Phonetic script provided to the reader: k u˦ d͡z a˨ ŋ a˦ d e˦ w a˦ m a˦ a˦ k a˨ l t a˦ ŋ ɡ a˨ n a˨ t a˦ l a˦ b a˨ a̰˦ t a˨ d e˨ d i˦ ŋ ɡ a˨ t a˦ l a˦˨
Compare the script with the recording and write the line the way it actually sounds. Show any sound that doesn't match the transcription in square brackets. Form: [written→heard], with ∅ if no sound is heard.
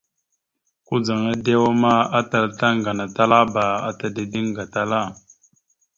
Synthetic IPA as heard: k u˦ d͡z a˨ ŋ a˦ d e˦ w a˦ m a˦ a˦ [k→t] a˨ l t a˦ ŋ ɡ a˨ n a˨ t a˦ l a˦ b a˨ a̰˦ t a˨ d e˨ d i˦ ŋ ɡ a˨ t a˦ l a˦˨